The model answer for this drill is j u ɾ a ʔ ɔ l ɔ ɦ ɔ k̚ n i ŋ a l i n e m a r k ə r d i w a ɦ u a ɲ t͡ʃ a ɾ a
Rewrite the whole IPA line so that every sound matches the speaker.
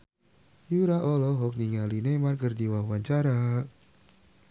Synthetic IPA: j u ɾ a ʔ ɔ l ɔ ɦ ɔ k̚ n i ŋ a l i n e m a r k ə r d i w a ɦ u a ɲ t͡ʃ a ɾ a